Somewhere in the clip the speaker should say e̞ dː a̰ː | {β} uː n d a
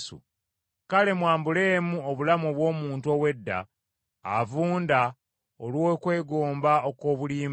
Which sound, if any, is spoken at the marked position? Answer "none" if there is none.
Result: v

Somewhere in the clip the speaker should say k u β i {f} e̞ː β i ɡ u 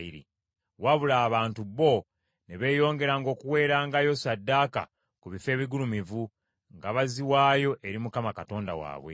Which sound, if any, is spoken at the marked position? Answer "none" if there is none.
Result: f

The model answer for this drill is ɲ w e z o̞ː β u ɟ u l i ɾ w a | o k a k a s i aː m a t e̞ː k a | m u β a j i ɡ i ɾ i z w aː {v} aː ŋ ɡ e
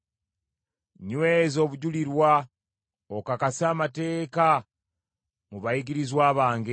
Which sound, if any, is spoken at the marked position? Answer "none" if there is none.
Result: β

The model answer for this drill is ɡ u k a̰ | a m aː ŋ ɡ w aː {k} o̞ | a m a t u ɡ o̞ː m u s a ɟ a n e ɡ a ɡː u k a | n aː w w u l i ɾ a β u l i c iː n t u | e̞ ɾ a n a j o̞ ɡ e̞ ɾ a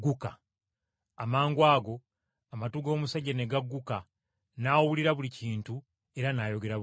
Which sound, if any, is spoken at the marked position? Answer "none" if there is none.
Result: ɡ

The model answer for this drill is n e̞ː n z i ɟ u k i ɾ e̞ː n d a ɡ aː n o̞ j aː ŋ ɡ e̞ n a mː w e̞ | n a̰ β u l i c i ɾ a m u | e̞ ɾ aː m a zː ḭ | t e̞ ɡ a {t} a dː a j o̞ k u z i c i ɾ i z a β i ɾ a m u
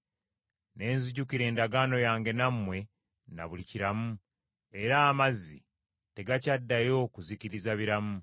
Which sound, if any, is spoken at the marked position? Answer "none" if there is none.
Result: c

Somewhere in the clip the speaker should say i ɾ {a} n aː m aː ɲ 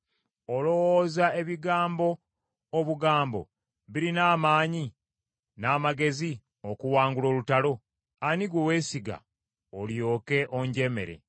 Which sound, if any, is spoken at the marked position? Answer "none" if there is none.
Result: i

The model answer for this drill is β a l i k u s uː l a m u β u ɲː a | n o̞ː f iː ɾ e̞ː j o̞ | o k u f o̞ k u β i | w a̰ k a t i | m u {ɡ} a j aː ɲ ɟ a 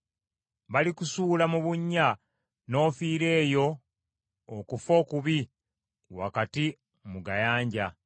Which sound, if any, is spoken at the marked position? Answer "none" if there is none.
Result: ɡ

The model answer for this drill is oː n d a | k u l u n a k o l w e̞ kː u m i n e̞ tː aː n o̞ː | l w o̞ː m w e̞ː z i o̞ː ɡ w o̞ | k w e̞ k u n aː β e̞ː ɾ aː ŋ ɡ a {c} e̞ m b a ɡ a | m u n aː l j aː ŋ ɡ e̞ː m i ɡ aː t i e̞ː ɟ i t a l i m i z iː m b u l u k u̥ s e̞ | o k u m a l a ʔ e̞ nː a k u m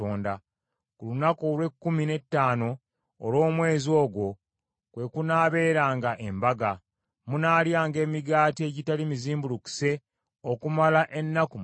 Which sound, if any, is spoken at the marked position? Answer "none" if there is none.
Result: ʔ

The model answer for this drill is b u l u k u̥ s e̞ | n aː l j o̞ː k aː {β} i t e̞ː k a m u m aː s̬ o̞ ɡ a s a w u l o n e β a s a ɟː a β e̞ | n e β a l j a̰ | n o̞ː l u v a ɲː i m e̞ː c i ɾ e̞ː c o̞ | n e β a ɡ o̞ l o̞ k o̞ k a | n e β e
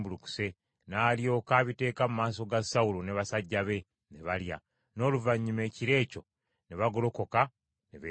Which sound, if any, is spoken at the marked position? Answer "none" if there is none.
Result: β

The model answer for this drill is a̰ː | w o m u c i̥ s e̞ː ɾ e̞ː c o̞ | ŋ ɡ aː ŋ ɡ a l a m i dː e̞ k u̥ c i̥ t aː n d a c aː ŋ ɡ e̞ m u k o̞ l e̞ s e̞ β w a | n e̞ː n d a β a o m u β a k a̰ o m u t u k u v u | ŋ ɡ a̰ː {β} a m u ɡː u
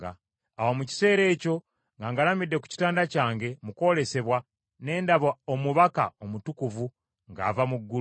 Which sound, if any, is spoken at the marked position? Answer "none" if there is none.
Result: v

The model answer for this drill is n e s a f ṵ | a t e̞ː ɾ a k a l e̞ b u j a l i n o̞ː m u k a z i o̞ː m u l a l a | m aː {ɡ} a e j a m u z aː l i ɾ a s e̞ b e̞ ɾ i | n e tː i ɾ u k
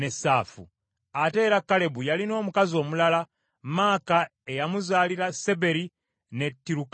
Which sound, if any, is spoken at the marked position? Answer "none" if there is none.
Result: k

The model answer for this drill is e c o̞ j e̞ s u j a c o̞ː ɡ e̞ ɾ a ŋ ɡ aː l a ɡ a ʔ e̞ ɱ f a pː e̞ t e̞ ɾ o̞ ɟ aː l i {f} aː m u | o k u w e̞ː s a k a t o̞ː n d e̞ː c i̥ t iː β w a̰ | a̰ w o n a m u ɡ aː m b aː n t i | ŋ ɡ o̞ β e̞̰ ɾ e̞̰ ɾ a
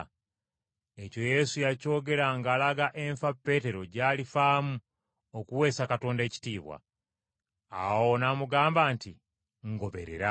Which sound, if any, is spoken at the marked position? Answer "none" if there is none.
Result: f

